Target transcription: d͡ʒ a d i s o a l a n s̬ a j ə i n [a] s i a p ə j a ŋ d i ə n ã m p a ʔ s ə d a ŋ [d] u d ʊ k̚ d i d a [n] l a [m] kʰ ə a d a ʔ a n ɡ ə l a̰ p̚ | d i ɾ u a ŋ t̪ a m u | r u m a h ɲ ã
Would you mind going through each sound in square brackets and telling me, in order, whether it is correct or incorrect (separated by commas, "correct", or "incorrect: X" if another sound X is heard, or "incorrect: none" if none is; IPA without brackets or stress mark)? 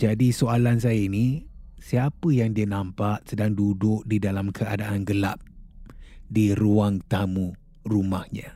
incorrect: i, correct, incorrect: none, correct